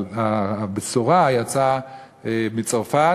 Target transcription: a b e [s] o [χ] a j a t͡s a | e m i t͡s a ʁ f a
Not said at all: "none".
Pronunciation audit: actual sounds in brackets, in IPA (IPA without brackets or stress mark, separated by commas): s, ʁ